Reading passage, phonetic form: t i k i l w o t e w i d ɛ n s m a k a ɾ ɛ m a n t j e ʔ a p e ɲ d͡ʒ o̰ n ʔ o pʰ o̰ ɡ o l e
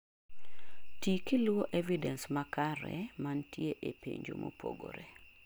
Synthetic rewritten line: t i k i l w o ʔ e v i d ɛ n s m a k a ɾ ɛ m a n t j e ʔ e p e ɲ d͡ʒ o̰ m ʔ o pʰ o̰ ɡ o ɾ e